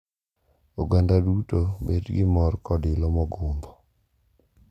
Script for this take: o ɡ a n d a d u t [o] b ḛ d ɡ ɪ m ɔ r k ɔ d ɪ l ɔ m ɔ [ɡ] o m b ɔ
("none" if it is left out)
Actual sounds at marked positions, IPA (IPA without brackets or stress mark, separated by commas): o, ɡ